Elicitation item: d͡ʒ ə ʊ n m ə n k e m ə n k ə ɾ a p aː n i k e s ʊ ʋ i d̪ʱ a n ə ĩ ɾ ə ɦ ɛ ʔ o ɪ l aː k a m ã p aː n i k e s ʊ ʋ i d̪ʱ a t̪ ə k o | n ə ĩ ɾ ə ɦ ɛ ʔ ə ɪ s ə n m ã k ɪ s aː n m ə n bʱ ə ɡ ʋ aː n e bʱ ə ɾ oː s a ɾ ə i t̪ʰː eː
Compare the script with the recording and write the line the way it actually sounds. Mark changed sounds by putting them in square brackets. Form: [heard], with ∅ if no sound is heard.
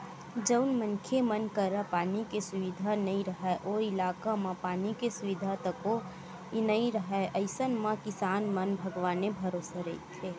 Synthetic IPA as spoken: d͡ʒ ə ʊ n m ə n [kʰ] e m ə n k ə ɾ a p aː n i k e s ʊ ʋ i d̪ʱ a n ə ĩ ɾ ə ɦ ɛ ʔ o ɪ l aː k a m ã p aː n i k e s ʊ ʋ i d̪ʱ a t̪ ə k o | n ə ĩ ɾ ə ɦ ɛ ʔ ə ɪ s ə n m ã k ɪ s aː n m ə n bʱ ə ɡ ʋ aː n e bʱ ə ɾ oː s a ɾ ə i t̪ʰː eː

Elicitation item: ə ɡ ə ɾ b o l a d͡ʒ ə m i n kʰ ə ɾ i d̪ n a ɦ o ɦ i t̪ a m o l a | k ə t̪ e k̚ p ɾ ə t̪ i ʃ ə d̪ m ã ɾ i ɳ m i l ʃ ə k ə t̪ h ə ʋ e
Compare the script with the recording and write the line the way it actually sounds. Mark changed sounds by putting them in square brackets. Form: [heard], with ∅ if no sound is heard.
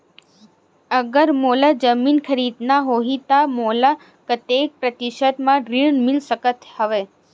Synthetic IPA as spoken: ə ɡ ə ɾ [m] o l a d͡ʒ ə m i n kʰ ə ɾ i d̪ n a ɦ o ɦ i t̪ a m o l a | k ə t̪ e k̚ p ɾ ə t̪ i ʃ ə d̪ m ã ɾ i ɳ m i l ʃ ə k ə t̪ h ə ʋ e

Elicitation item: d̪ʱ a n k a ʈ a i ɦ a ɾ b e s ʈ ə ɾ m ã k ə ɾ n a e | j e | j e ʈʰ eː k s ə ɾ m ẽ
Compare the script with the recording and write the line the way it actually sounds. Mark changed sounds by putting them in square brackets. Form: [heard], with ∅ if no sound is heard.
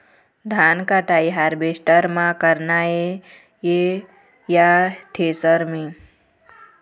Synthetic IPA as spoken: d̪ʱ a n k a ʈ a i ɦ a ɾ b e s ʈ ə ɾ m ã k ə ɾ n a e | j e | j [a] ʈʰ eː [∅] s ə ɾ m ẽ

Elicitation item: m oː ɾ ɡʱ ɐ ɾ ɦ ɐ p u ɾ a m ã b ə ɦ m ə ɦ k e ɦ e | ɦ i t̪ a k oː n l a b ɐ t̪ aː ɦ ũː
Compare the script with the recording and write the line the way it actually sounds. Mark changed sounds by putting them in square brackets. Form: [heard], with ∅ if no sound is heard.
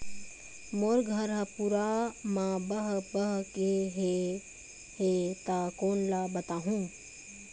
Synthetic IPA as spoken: m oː ɾ ɡʱ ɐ ɾ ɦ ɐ p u ɾ a m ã b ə ɦ [b] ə ɦ k e ɦ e | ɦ [e] t̪ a k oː n l a b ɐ t̪ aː ɦ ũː

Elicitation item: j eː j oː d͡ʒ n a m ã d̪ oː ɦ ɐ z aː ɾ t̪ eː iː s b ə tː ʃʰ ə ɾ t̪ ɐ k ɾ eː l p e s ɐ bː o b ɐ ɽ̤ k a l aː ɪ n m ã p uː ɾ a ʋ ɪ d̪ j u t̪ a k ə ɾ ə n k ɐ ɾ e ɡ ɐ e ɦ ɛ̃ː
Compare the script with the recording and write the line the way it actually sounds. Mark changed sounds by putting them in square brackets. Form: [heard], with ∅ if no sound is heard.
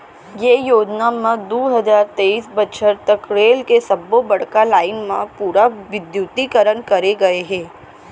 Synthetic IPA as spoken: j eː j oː d͡ʒ n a m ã d̪ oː ɦ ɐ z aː ɾ t̪ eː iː s b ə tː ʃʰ ə ɾ t̪ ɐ k ɾ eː l [k] e s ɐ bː o b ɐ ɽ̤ k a l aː ɪ n m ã p uː ɾ a ʋ ɪ d̪ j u t̪ [i] k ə ɾ ə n k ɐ ɾ e ɡ ɐ e ɦ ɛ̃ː

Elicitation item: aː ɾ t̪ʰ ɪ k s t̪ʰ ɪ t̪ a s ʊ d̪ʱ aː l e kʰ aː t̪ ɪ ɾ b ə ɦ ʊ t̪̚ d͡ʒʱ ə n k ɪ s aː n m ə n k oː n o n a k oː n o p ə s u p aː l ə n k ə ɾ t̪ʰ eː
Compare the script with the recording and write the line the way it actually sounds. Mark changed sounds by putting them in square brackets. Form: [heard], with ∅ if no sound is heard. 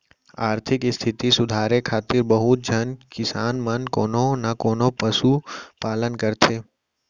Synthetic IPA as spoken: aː ɾ t̪ʰ ɪ k s t̪ʰ ɪ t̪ [i] s ʊ d̪ʱ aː [ɾ] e kʰ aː t̪ ɪ ɾ b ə ɦ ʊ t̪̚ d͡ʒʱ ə n k ɪ s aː n m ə n k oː n o n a k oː n o p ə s u p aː l ə n k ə ɾ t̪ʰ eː

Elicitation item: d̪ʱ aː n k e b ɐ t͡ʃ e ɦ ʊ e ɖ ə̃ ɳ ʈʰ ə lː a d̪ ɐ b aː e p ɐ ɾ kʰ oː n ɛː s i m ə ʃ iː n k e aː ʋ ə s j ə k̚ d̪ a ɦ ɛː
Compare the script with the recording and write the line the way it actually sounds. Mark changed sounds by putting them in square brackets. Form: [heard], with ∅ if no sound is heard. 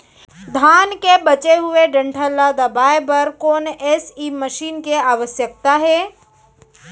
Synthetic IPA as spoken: d̪ʱ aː n k e b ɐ t͡ʃ e ɦ ʊ e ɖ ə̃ ɳ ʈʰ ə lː a d̪ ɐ b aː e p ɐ ɾ [k] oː n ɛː s i m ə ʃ iː n k e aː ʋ ə s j ə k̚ [t̪] a ɦ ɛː

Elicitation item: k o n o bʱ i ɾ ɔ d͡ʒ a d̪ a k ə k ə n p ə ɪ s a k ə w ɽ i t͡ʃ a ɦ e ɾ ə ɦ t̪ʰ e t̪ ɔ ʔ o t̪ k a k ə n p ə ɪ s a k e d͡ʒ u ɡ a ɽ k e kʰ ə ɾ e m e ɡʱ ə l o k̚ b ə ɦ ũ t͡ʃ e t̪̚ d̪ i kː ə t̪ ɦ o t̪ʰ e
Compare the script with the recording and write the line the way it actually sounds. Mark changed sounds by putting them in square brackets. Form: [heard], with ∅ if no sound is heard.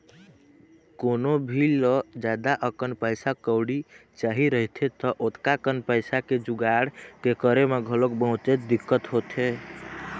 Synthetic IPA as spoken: k o n o bʱ i [l] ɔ d͡ʒ a d̪ a [ʔ] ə k ə n p ə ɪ s a k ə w ɽ i t͡ʃ a ɦ [i] ɾ ə ɦ t̪ʰ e t̪ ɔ ʔ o t̪ k a k ə n p ə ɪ s a k e d͡ʒ u ɡ a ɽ k e [k] ə ɾ e m e ɡʱ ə l o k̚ b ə ɦ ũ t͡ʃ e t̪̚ d̪ i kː ə t̪ ɦ o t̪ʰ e

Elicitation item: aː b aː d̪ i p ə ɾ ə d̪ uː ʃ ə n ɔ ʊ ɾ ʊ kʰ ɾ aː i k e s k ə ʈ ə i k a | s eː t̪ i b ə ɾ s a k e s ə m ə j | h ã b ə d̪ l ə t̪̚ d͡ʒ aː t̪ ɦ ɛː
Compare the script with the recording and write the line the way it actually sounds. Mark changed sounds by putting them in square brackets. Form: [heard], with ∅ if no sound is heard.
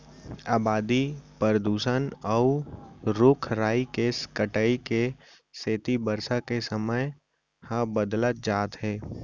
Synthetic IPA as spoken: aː b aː d̪ i p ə ɾ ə d̪ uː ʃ ə n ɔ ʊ ɾ ʊ kʰ ɾ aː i k e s k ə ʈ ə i k [e] | s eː t̪ i b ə ɾ s a k e s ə m ə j | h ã b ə d̪ l ə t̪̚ d͡ʒ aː t̪ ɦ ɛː

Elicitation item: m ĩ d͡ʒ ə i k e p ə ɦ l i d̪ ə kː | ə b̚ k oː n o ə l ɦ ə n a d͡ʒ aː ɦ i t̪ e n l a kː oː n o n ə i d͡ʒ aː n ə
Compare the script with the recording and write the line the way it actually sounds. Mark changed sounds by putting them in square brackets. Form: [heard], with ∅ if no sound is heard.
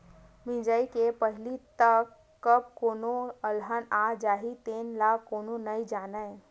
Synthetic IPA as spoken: m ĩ d͡ʒ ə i k e p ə ɦ l i [t̪] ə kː | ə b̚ k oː n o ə l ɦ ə n a d͡ʒ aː ɦ i t̪ e n l a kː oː n o n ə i d͡ʒ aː n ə

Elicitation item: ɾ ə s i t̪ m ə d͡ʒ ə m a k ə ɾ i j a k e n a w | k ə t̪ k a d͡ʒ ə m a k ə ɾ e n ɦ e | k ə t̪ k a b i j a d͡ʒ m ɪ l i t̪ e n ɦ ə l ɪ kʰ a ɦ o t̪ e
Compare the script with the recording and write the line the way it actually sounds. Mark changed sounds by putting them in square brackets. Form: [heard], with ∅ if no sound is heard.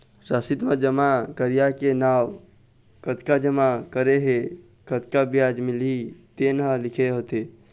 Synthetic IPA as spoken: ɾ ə s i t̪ m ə d͡ʒ ə m a k ə ɾ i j a k e n a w | k ə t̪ k a d͡ʒ ə m a k ə ɾ e [∅] ɦ e | k ə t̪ k a b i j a d͡ʒ m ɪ l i t̪ e n ɦ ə l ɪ kʰ [e] ɦ o t̪ e

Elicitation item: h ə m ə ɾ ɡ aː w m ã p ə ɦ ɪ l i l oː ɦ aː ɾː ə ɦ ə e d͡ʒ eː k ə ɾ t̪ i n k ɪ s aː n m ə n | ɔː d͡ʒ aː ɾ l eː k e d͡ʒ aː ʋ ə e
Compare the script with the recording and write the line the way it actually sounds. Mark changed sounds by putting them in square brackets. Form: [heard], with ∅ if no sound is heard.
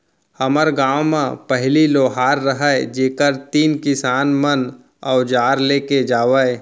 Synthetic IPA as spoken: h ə m ə ɾ ɡ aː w m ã p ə ɦ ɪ l i l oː ɦ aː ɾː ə ɦ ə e d͡ʒ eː k ə ɾ t̪ [iː] n k ɪ s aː n m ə n | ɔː d͡ʒ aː ɾ l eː k e d͡ʒ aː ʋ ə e

